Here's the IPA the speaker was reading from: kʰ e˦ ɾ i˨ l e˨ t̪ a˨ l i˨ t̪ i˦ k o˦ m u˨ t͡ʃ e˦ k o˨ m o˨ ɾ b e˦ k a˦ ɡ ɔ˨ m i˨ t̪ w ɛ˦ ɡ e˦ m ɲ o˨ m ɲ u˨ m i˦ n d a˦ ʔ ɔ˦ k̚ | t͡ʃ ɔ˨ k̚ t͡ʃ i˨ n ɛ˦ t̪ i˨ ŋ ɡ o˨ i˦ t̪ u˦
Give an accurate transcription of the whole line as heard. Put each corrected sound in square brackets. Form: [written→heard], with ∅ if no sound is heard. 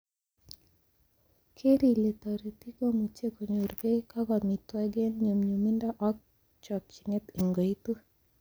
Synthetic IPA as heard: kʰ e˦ ɾ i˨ l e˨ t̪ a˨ [l→ɾ] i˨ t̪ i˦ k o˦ m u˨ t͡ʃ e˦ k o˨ [m→ɲ] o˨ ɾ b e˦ k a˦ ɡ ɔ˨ m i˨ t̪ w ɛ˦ ɡ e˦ [m→n] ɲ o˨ m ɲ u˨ m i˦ n d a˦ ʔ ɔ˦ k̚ | t͡ʃ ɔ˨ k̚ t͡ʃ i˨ n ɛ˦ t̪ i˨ ŋ ɡ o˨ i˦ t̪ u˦